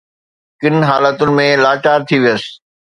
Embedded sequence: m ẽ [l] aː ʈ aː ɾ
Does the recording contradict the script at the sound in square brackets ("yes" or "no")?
no